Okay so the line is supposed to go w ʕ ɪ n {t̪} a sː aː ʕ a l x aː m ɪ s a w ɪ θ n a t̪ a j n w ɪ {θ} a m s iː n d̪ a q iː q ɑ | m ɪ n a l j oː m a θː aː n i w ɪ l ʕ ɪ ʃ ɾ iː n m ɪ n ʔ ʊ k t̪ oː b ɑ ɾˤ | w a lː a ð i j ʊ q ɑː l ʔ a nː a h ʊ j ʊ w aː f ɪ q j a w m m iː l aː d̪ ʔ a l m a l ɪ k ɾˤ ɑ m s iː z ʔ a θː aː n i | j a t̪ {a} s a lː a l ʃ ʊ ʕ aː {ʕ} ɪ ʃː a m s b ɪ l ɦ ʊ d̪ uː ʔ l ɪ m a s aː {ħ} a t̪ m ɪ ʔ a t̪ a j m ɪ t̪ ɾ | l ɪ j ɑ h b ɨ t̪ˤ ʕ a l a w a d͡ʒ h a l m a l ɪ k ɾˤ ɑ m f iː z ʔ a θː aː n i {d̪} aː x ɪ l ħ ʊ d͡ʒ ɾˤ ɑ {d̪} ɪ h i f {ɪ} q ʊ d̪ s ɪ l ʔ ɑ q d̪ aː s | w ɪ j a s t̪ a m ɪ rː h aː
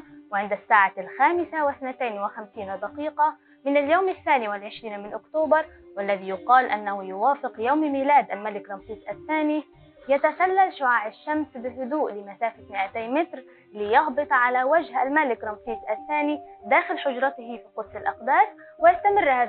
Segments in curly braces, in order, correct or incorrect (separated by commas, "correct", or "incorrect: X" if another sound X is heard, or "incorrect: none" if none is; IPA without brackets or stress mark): incorrect: d̪, incorrect: x, correct, correct, incorrect: f, correct, incorrect: t̪, incorrect: i